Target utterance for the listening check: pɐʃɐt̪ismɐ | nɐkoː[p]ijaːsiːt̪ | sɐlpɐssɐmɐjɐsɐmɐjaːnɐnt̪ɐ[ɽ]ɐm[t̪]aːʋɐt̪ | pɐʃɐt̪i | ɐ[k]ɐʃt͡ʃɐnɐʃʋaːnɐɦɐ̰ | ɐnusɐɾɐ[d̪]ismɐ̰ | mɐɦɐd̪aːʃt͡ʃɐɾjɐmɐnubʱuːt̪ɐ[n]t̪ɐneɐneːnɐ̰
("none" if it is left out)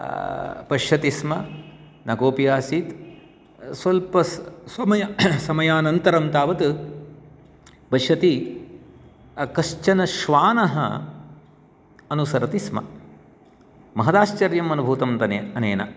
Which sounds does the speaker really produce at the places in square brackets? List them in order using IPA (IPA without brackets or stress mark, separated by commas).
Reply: p, ɾ, t̪, k, t̪, m